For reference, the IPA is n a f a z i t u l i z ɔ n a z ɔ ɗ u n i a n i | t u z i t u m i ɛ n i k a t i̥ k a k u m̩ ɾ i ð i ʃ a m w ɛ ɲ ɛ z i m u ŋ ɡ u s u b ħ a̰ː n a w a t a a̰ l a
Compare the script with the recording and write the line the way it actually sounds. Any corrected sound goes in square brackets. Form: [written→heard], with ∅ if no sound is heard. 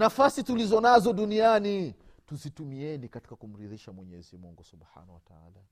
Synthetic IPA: n a f a [z→s] i t u l i z ɔ n a z ɔ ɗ u n i a n i | t u z i t u m i ɛ n i k a t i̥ k a k u m̩ ɾ i ð i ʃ a m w ɛ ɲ ɛ z i m u ŋ ɡ u s u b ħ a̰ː n a w a t a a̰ l a